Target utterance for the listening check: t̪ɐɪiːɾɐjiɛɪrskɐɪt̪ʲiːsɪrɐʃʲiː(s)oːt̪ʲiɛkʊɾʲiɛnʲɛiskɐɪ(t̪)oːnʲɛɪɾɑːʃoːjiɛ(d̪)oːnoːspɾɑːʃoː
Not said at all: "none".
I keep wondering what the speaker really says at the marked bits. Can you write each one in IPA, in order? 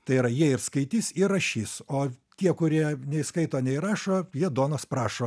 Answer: s, t̪, d̪

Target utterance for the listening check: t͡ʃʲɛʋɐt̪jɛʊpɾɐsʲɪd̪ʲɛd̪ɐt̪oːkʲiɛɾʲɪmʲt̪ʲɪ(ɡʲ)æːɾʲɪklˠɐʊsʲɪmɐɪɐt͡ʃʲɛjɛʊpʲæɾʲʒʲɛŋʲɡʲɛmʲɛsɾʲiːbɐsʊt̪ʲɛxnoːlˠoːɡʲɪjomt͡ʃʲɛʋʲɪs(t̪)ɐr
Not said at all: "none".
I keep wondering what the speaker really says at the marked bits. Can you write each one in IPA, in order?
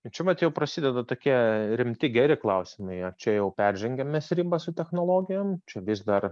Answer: ɡʲ, d̪

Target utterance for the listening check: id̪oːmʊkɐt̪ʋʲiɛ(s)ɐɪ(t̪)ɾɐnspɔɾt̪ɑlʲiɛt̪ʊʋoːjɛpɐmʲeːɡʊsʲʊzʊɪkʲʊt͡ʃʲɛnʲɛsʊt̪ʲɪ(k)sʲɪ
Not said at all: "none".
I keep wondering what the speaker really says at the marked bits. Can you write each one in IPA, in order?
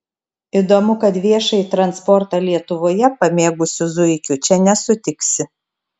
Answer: ʃ, t̪, k

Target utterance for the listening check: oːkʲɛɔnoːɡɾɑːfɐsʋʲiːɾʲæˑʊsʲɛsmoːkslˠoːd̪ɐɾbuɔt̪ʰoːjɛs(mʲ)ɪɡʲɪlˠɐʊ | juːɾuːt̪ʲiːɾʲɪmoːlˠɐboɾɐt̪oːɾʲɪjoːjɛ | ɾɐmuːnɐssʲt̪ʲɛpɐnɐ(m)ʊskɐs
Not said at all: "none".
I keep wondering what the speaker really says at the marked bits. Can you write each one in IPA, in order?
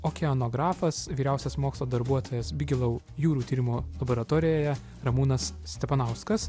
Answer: bʲ, none

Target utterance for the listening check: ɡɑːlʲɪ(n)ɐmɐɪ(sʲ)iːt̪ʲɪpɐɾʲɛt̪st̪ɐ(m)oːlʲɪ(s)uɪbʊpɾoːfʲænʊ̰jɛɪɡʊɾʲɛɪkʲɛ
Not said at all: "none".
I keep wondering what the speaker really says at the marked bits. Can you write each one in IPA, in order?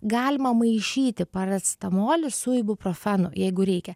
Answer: m, ʃʲ, m, s

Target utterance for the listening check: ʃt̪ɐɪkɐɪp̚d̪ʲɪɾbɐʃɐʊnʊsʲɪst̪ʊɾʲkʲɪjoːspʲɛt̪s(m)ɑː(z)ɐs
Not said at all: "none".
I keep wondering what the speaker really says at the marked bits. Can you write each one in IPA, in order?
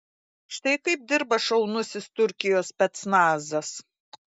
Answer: n, z

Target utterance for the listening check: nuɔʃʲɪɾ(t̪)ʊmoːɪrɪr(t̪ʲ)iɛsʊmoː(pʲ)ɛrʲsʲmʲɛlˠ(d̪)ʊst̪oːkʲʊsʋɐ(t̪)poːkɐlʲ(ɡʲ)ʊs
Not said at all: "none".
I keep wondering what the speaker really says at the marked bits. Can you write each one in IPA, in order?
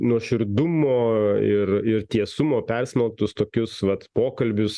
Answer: d̪, t̪ʲ, pʲ, t̪, t̪, bʲ

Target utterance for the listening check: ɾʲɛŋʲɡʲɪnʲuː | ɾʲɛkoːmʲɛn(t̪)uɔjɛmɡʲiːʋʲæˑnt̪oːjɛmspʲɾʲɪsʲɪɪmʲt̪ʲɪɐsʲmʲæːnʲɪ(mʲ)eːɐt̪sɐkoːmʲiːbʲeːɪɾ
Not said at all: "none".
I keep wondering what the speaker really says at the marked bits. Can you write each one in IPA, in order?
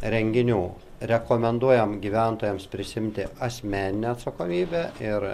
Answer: d̪, nʲ

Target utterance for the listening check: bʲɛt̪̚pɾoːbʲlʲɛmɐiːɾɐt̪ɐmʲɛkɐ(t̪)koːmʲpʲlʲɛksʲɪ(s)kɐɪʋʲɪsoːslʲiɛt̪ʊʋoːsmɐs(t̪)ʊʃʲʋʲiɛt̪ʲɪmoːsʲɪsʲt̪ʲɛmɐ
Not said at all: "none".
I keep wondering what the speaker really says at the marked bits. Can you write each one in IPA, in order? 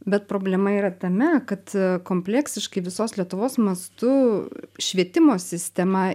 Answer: t̪, ʃ, t̪

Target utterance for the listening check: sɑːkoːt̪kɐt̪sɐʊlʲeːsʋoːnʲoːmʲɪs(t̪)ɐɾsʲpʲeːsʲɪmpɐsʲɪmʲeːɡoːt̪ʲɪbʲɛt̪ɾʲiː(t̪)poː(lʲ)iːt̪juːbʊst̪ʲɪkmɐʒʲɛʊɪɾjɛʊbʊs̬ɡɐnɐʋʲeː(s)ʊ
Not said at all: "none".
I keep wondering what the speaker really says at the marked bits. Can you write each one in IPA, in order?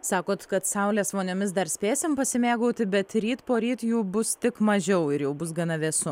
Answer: d̪, t̪, ɾʲ, s

